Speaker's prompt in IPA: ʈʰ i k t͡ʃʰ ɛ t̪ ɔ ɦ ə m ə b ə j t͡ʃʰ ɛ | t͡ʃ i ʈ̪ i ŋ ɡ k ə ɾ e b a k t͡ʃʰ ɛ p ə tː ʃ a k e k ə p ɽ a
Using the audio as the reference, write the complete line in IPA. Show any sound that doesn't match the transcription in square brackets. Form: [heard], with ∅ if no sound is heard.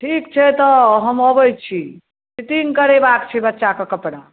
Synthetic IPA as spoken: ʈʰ i k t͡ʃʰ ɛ t̪ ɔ ɦ ə m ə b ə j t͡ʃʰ [i] | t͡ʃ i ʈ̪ i ŋ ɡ k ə ɾ e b a k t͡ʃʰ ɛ [b] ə tː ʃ a k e k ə p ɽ a